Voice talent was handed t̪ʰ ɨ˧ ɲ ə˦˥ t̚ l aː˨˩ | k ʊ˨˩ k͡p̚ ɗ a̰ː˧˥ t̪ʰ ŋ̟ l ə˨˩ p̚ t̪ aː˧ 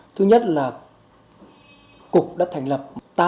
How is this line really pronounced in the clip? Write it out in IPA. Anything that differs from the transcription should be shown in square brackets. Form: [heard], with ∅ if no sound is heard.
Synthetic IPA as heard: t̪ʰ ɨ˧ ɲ ə˦˥ t̚ l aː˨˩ | k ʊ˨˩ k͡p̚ ɗ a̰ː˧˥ t̪ʰ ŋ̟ l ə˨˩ p̚ t̪ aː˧